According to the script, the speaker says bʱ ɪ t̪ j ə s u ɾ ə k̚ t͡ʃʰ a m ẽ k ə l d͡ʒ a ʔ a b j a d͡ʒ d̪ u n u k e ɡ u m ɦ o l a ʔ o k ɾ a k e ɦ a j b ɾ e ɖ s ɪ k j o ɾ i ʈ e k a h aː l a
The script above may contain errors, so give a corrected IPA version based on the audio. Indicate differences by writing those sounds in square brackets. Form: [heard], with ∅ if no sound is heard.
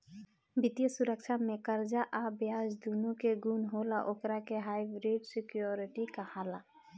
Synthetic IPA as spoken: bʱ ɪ t̪ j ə s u ɾ ə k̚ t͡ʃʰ a m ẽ k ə [ɾ] d͡ʒ a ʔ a b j a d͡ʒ d̪ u n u k e ɡ u [n] ɦ o l a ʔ o k ɾ a k e ɦ a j b ɾ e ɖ s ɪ k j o ɾ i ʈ [i] k a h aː l a